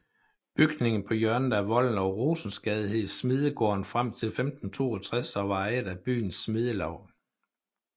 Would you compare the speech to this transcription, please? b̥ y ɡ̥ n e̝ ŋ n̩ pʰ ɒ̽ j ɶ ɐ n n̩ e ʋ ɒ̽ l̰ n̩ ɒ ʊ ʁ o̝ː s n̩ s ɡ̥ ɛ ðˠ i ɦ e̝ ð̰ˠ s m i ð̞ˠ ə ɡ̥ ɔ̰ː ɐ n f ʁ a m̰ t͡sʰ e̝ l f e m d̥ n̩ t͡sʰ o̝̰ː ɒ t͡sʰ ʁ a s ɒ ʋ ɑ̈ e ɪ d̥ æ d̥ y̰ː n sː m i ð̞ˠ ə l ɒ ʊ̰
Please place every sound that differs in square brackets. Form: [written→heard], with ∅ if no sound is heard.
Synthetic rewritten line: b̥ y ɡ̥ n e̝ ŋ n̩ pʰ ɒ̽ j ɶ ɐ n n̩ [e→æ] ʋ ɒ̽ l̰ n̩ ɒ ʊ ʁ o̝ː s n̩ s ɡ̥ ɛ ðˠ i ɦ e̝ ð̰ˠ s m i ð̞ˠ ə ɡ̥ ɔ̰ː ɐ n f ʁ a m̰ t͡sʰ e̝ l f e m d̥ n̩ t͡sʰ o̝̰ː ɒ t͡sʰ ʁ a s ɒ ʋ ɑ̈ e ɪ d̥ æ [d̥→b̥] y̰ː n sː m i ð̞ˠ ə l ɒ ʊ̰